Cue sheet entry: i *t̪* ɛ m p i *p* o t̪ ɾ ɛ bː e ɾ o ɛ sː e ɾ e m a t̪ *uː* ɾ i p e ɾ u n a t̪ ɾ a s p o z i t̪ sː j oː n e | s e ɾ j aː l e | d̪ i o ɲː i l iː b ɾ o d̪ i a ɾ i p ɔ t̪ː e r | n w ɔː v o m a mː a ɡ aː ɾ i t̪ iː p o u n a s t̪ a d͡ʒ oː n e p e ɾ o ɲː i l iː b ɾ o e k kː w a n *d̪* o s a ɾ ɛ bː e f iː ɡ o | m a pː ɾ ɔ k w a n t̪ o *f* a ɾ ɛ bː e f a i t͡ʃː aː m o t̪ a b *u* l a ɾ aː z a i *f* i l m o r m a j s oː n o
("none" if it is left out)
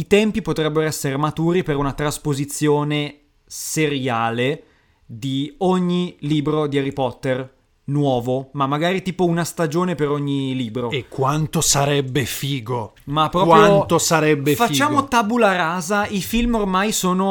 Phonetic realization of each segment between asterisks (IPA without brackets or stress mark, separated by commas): t̪, p, uː, t̪, s, u, f